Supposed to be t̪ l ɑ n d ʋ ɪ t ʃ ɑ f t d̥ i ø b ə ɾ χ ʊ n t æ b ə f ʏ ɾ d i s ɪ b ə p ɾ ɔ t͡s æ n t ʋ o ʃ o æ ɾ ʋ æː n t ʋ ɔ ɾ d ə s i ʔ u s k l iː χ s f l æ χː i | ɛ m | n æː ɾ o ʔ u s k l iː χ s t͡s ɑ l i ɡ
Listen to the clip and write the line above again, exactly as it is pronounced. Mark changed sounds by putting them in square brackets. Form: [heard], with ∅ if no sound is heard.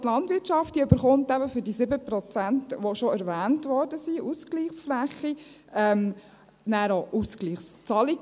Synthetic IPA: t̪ l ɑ n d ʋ ɪ t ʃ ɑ f t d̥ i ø b ə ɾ χ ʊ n t æ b ə f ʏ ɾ d i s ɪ b ə p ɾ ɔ t͡s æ n t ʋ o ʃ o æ ɾ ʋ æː n t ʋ ɔ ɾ d ə s i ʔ u s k l iː χ s f l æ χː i | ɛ m | n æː ɾ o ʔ u s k l iː χ s t͡s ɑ l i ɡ